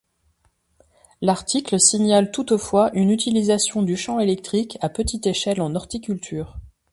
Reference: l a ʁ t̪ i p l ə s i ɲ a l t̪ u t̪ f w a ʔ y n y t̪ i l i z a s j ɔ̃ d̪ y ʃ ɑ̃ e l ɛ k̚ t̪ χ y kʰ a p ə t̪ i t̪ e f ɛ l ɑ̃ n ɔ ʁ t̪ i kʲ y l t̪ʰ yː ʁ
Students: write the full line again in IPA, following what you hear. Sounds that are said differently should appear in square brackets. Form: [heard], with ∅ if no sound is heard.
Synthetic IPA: l a ʁ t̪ i [k] l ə s i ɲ a l t̪ u t̪ f w a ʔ y n y t̪ i l i z a s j ɔ̃ d̪ y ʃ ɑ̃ e l ɛ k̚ t̪ χ [i] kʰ a p ə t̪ i t̪ e [ʃ] ɛ l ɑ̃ n ɔ ʁ t̪ i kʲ y l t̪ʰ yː ʁ